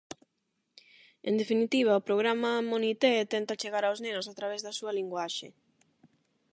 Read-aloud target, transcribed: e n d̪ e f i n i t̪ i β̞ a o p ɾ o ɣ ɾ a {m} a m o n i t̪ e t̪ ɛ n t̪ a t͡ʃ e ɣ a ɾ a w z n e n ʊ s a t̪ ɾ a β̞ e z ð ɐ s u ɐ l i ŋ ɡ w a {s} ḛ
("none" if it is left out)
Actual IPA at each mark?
m, ʃ

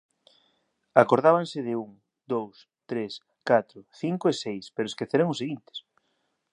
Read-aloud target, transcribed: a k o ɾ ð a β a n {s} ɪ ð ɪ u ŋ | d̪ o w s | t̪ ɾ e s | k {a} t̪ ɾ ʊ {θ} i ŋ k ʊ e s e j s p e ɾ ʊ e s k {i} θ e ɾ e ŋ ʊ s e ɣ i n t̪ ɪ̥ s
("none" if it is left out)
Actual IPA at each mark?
s, a, θ, e

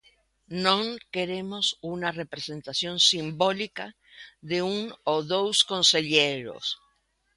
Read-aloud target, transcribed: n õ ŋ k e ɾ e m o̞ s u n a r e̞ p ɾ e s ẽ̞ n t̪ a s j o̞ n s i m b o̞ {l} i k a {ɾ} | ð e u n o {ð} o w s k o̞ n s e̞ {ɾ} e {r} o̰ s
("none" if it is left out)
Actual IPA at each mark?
l, none, ð, ʎ, ɾ

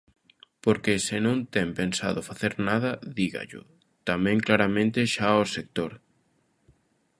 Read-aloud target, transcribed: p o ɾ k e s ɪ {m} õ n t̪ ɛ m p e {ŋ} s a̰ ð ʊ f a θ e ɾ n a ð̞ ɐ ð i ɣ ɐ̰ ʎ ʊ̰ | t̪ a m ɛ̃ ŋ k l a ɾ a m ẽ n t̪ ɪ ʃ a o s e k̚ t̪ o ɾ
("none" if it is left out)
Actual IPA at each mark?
n, n

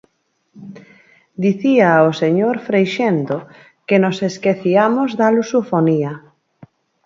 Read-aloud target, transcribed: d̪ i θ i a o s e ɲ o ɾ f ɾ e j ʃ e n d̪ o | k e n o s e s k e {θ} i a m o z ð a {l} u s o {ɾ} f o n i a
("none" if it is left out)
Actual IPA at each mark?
θ, l, none

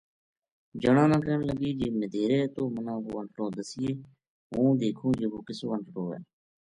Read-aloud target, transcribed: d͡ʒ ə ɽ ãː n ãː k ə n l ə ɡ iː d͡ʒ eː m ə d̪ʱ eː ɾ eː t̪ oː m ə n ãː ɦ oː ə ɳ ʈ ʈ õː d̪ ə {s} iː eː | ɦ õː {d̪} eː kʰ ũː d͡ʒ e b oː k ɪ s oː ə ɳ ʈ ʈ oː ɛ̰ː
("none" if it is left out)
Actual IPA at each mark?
s, d̪

